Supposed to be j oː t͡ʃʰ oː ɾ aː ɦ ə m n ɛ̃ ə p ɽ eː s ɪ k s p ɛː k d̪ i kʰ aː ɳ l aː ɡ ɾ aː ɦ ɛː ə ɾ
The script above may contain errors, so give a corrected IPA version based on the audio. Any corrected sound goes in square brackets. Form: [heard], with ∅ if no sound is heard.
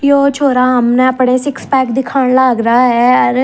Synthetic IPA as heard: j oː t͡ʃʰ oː ɾ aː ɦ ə m n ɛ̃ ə p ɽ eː s ɪ k s p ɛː k d̪ [ɪ] kʰ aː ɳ l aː ɡ ɾ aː ɦ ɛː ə ɾ